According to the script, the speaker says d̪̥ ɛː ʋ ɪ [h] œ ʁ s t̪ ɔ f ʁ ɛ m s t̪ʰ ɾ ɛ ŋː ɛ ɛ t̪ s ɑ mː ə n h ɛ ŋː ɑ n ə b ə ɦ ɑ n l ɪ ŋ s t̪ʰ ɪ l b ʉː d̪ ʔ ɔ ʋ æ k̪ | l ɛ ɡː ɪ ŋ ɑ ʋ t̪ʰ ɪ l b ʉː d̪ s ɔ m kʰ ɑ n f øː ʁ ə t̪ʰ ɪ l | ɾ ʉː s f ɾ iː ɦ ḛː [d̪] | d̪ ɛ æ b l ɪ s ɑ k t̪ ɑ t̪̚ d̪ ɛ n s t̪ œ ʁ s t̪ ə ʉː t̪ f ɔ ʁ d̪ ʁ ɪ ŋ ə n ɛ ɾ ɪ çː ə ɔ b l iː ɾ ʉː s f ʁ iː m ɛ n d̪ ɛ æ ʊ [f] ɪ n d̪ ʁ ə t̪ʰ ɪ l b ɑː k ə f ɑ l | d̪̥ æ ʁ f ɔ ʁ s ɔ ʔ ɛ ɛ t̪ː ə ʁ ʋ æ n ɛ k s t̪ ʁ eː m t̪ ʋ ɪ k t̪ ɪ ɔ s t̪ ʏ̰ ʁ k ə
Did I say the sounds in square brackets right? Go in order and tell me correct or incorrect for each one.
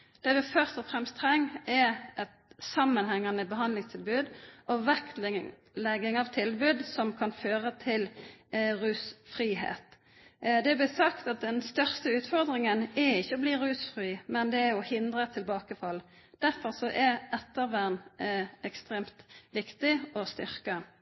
incorrect: f, incorrect: t̪, incorrect: h

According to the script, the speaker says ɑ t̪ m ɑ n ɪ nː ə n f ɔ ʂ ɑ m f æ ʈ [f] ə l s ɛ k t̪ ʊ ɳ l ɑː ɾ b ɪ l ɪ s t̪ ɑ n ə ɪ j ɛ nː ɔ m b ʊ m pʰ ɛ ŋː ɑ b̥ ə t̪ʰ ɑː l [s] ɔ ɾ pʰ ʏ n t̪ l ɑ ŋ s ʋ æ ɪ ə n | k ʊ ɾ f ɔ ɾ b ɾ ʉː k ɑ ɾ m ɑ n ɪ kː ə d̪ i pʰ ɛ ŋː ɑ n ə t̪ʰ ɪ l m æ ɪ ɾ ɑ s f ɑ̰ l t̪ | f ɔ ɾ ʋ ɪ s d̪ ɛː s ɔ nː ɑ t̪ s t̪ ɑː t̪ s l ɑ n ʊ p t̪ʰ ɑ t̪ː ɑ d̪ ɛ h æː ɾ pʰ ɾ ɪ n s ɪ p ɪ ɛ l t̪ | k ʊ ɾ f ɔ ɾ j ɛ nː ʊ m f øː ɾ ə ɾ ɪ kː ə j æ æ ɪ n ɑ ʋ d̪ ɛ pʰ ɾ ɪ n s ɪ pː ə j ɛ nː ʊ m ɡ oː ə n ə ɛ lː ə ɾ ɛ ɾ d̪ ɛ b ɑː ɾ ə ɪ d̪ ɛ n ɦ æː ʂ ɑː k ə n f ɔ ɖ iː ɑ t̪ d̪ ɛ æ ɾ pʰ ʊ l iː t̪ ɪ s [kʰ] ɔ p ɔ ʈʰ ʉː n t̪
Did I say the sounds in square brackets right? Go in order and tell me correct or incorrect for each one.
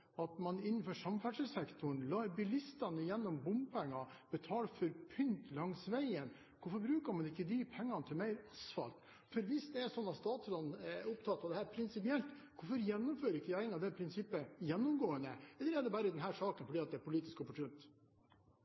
incorrect: ʂ, incorrect: f, incorrect: k

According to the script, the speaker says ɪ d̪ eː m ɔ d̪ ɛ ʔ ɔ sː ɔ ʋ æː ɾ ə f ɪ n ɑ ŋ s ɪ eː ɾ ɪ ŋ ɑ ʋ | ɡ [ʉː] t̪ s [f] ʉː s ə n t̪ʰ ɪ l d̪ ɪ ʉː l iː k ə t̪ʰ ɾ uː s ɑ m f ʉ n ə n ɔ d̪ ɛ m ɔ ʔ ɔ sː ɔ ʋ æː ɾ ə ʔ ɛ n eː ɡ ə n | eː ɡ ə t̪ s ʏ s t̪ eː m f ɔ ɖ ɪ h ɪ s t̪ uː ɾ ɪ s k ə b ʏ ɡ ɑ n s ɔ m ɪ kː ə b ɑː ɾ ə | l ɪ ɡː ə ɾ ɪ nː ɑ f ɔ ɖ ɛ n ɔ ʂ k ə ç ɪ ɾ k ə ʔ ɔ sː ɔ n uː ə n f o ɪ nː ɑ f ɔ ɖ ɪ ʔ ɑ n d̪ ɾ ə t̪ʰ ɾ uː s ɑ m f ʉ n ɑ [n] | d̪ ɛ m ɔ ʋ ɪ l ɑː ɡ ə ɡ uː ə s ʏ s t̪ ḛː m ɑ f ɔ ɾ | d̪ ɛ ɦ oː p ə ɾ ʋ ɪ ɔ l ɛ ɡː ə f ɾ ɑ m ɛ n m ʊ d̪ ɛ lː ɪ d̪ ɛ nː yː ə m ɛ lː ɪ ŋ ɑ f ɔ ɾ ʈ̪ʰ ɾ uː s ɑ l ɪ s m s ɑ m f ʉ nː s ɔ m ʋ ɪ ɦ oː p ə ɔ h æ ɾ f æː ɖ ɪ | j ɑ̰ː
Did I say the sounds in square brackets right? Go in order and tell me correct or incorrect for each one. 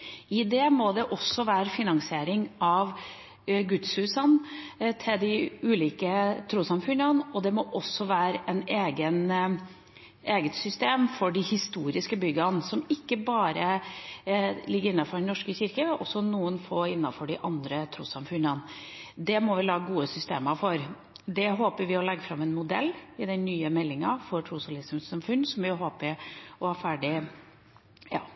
incorrect: ʉ, incorrect: h, correct

